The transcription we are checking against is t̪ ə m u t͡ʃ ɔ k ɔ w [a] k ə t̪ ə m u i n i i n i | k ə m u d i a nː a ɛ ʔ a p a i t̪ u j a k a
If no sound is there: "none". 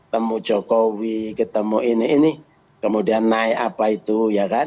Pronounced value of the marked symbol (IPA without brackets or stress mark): i